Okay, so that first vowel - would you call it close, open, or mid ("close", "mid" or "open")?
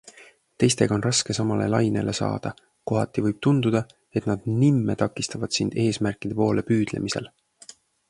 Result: mid